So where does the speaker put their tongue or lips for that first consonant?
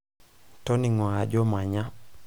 tongue tip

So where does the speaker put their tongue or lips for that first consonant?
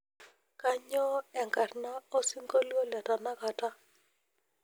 velum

